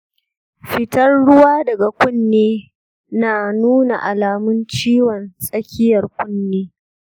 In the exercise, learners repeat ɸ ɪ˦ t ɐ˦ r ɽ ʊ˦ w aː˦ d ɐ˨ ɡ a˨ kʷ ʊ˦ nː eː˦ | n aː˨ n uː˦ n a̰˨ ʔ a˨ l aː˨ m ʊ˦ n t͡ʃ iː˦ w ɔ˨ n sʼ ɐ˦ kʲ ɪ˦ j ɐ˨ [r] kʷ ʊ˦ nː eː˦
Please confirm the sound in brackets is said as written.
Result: yes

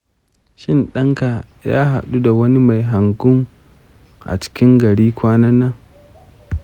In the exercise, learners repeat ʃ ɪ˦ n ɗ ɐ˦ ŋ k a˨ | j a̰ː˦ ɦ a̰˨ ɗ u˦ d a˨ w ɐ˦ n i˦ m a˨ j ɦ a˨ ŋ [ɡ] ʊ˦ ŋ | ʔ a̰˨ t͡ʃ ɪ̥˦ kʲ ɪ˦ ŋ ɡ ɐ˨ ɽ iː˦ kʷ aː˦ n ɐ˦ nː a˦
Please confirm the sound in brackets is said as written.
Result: yes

